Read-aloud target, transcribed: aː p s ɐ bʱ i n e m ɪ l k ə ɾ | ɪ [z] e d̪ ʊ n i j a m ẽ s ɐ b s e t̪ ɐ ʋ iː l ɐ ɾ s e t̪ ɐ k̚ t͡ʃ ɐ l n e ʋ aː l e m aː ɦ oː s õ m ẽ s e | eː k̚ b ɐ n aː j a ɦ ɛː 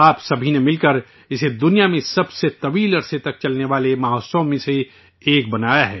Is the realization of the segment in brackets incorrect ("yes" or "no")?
yes